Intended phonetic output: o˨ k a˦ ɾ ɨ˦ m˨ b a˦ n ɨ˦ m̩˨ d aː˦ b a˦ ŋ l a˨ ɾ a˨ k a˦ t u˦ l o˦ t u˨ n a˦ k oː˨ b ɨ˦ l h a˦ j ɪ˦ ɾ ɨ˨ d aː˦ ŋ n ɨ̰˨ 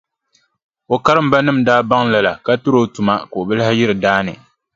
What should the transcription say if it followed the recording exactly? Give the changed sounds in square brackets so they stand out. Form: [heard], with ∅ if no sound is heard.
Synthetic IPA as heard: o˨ k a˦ ɾ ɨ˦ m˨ b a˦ n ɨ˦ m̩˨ d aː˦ b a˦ ŋ l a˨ [l] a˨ k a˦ t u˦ [ɾ] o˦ t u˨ [m] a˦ k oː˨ b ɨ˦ l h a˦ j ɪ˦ ɾ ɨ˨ d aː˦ [∅] n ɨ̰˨